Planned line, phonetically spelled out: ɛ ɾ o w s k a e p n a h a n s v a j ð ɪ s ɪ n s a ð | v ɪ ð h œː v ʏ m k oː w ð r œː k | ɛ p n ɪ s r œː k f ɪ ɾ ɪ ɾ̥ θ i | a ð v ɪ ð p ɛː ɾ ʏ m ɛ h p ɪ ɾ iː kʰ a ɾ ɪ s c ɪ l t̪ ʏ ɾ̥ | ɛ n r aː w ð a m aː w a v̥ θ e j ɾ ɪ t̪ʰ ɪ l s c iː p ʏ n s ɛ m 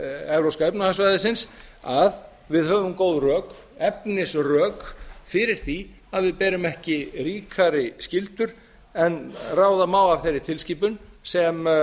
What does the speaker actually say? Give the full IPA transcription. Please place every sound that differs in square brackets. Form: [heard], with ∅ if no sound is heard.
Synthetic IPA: ɛ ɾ o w s k a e p n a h a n s v a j ð ɪ s ɪ n s a ð | v ɪ ð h œː v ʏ m k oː w ð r œː k | ɛ p n ɪ s r œː k f ɪ ɾ ɪ ɾ̥ θ i | a ð v ɪ ð p ɛː ɾ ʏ m ɛ h [c] ɪ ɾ iː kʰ a ɾ ɪ s c ɪ l t̪ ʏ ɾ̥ | ɛ n r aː w ð a m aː w a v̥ θ e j ɾ ɪ t̪ʰ ɪ l s c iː p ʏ n s ɛ m